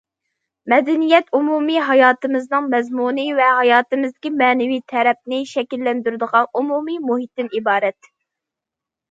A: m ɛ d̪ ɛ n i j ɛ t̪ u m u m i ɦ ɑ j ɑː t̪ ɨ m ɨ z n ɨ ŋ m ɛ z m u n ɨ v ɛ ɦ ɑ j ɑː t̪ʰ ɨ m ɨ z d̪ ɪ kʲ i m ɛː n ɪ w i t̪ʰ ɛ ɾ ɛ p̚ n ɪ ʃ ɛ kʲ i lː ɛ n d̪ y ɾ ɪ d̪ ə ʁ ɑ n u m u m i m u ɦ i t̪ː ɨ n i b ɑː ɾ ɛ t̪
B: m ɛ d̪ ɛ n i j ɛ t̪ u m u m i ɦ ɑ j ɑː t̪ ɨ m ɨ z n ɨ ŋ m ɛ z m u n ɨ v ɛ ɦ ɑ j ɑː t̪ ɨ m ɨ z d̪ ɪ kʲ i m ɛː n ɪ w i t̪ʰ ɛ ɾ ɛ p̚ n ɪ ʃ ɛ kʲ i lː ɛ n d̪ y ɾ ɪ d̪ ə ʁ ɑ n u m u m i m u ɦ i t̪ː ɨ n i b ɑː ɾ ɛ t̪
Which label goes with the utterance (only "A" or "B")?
B